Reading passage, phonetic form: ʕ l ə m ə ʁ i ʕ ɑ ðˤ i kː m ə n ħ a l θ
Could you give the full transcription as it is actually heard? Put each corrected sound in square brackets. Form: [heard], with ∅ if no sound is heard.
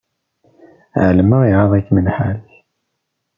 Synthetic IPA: ʕ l ə m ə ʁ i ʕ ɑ ðˤ [æ] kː m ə n ħ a l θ